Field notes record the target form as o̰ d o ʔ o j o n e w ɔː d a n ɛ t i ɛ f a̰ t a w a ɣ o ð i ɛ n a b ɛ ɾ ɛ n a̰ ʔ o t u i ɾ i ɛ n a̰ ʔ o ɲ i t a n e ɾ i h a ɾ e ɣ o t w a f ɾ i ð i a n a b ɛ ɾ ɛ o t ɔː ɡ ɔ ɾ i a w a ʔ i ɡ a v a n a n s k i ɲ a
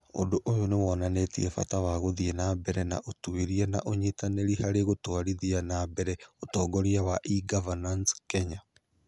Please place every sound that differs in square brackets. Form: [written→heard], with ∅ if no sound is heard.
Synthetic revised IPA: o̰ d o ʔ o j o n e w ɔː [d→n] a n [ɛ→e] t i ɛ f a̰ t a w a ɣ o ð i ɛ n a b ɛ ɾ ɛ n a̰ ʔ o t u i ɾ i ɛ n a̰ ʔ o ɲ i t a n e ɾ i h a ɾ e ɣ o t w a [f→∅] ɾ i ð i a n a b ɛ ɾ ɛ o t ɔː ɡ ɔ ɾ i a w a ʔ i ɡ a v a n a n s k [i→ɛ] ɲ a